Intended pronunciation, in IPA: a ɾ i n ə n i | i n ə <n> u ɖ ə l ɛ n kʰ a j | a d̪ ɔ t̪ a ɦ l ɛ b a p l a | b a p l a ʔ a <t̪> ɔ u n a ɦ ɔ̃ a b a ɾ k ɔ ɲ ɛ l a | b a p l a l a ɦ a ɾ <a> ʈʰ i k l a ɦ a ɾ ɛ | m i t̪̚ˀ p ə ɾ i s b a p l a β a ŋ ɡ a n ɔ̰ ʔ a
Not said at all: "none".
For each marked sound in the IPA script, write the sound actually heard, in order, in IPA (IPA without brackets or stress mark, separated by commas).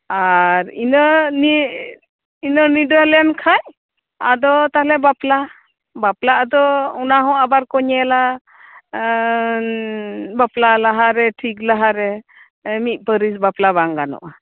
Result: n, d̪, ɛ